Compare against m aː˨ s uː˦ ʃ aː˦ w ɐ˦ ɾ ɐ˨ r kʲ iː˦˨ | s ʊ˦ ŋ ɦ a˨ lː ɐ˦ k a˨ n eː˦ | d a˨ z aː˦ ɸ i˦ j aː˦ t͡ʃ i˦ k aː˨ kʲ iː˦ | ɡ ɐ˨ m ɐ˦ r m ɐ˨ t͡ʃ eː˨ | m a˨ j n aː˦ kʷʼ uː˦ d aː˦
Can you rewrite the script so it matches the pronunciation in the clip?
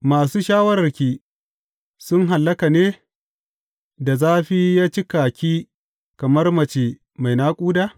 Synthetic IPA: m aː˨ s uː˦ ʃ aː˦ w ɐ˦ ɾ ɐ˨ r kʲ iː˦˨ | s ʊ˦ ŋ ɦ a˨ lː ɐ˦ k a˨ n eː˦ | d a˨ z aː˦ ɸ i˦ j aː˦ t͡ʃ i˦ k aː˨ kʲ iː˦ | k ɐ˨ m ɐ˦ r m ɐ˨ t͡ʃ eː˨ | m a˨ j n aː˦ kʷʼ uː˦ d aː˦